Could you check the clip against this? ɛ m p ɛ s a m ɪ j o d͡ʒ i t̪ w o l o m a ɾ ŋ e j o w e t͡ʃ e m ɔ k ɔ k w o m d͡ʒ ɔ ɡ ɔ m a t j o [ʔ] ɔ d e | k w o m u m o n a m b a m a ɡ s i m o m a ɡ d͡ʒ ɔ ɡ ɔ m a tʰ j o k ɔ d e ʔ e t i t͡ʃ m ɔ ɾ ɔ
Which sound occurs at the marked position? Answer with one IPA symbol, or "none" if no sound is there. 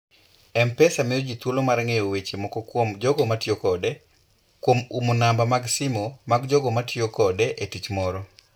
k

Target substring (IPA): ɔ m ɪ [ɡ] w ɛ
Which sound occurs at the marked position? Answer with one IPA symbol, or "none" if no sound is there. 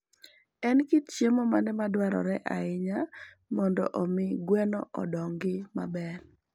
ɡ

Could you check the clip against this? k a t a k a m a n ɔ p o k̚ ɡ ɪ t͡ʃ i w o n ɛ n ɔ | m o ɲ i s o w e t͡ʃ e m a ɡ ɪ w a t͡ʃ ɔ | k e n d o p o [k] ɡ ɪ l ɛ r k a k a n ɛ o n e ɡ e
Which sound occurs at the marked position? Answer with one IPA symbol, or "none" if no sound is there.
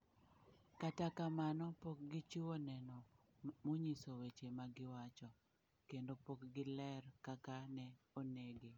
k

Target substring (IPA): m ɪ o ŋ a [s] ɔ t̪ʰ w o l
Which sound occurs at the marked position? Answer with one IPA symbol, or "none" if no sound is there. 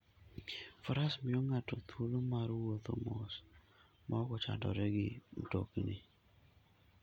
t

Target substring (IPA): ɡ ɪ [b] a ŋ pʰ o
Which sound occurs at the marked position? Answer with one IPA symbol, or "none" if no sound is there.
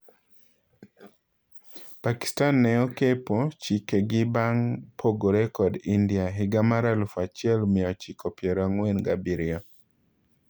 b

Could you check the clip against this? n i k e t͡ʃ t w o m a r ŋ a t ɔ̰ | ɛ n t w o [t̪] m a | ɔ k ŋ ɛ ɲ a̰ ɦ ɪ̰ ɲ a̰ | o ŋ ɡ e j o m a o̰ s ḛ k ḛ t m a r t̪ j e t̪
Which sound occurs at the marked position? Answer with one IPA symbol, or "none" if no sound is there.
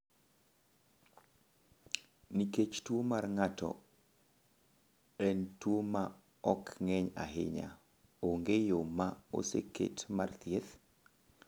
none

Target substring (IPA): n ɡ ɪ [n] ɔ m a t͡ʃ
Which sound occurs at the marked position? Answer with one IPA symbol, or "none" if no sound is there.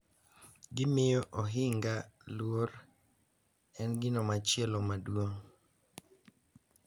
n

